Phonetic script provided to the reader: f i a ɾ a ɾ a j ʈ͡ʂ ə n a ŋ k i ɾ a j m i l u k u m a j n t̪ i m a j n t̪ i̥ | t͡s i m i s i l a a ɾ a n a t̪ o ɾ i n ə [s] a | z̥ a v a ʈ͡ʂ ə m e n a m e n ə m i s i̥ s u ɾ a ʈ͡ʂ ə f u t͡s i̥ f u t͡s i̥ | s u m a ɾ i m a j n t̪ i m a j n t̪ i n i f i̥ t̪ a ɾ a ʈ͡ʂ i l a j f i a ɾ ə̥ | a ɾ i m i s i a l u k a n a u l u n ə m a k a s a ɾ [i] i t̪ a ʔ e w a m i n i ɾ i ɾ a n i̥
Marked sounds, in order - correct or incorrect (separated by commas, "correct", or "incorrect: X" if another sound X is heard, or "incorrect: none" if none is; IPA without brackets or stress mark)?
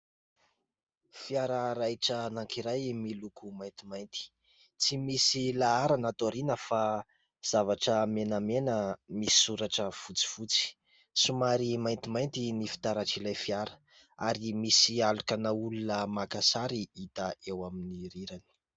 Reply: incorrect: f, correct